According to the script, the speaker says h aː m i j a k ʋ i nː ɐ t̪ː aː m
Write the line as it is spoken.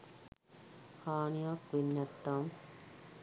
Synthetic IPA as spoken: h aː n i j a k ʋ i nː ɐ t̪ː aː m